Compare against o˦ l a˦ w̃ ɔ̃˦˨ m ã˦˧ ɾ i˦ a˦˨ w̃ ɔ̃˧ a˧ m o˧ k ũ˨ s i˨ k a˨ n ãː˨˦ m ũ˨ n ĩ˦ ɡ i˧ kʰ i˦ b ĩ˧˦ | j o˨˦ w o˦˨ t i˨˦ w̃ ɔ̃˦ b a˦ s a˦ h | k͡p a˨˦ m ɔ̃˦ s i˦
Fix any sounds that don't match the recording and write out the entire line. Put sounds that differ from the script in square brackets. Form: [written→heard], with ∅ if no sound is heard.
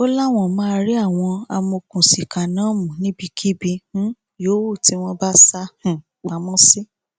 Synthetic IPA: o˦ l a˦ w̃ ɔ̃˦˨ m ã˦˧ ɾ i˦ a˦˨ w̃ ɔ̃˧ a˧ m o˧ k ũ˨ s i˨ k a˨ n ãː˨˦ m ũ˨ n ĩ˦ [ɡ→b] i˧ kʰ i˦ b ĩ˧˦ | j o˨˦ w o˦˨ t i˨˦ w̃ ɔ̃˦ b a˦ s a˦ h | k͡p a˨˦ m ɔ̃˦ s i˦